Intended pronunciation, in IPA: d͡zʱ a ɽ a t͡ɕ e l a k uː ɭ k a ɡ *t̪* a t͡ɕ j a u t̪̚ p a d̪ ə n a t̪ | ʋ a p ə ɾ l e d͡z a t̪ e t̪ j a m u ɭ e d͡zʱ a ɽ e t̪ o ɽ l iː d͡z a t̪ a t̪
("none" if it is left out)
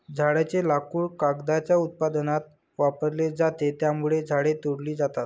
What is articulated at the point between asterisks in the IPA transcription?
d̪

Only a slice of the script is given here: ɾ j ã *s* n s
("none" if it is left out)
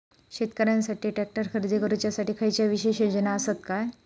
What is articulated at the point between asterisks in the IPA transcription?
none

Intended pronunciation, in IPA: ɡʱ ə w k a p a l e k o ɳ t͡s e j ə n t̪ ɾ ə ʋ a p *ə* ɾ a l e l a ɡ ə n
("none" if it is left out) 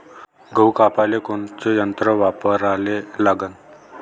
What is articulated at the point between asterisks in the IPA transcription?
ə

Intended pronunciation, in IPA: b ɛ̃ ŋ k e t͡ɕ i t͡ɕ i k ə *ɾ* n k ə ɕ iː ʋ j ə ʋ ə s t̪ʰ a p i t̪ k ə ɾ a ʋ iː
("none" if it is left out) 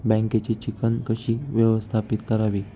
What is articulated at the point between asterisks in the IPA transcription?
none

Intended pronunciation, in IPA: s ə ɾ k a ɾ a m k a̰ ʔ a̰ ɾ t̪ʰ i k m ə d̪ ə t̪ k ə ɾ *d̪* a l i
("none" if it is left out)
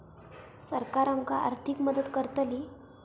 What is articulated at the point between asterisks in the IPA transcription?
t̪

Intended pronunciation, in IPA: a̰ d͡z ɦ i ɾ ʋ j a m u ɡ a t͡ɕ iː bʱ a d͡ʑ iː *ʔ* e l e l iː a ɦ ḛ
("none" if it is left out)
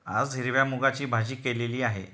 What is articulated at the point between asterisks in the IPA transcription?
k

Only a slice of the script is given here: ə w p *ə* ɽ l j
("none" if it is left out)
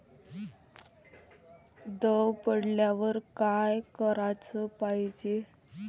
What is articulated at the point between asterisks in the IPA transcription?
ə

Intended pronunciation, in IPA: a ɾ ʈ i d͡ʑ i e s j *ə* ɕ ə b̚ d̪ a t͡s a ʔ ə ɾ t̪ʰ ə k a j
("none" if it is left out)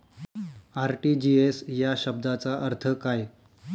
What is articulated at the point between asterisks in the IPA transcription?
a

